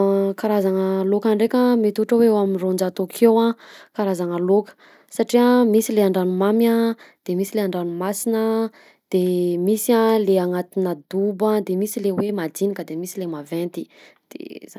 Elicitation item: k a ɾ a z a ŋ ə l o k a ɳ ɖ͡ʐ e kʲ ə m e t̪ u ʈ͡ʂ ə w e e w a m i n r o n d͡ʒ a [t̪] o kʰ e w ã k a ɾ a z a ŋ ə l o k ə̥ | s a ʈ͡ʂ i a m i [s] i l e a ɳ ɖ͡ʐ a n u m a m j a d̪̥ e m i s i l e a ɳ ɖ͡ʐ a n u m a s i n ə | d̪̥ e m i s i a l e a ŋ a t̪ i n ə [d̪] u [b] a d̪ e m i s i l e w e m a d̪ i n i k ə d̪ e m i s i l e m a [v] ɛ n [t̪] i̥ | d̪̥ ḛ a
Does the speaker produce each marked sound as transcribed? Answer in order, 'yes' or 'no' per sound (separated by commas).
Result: yes, yes, yes, yes, yes, yes